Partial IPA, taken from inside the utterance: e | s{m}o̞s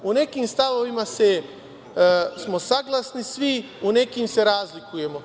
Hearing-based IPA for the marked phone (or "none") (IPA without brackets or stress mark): m